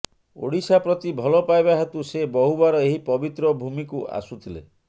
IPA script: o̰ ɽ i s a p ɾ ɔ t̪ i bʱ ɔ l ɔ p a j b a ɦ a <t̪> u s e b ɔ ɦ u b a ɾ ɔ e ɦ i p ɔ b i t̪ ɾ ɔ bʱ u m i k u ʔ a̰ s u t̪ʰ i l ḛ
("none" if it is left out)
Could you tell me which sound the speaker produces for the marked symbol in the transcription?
t̪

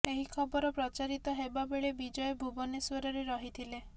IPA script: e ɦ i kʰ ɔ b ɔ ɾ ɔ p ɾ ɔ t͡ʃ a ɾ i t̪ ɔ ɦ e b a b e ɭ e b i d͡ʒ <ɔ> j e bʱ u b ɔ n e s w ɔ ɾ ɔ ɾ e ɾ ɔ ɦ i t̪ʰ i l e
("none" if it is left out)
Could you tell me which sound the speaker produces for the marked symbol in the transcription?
ɔ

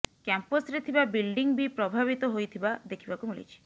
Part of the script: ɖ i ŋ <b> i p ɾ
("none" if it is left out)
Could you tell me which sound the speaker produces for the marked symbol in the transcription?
b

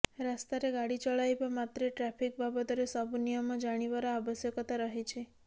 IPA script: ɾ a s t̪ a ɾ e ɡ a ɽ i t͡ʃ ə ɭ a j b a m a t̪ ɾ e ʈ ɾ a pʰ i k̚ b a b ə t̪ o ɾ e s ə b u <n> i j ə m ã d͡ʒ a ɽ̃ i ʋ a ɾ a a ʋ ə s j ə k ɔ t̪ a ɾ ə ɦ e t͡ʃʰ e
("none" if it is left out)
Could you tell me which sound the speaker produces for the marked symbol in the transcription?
n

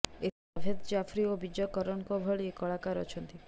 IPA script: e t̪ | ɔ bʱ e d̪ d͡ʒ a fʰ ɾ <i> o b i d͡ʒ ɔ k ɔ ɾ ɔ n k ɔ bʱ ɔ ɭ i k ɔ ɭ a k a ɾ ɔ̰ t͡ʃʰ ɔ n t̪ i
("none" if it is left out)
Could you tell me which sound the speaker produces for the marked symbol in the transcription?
i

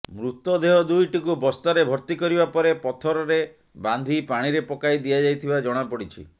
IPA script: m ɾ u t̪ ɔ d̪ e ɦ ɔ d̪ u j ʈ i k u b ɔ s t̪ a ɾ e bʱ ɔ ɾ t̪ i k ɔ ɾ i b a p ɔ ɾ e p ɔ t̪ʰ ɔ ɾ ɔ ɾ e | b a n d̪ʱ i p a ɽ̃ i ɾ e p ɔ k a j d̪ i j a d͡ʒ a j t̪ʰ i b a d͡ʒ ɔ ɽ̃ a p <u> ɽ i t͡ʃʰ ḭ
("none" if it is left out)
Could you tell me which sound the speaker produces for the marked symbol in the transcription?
ɔ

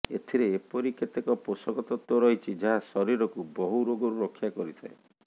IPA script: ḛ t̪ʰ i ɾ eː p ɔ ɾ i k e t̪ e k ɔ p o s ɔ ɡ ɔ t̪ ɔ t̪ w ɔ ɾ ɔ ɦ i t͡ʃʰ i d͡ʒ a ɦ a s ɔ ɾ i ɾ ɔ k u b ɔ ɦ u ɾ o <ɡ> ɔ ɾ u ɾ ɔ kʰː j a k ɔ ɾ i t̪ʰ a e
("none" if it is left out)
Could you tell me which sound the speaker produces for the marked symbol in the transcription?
ɡ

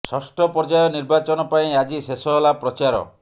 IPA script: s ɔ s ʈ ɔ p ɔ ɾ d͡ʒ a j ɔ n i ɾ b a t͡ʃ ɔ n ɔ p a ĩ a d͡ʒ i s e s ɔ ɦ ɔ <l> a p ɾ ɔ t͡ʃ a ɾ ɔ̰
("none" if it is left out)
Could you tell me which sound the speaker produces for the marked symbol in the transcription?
l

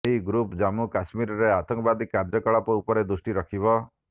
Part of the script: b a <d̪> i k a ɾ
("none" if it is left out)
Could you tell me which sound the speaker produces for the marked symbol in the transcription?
d̪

